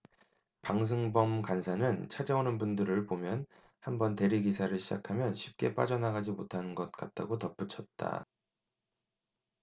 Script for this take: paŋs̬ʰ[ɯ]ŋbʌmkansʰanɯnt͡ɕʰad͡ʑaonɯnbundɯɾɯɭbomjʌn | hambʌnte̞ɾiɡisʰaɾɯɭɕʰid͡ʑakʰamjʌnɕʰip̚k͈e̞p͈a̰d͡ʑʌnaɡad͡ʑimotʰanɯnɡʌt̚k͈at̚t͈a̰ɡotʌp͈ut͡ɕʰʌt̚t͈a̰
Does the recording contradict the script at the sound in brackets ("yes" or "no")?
no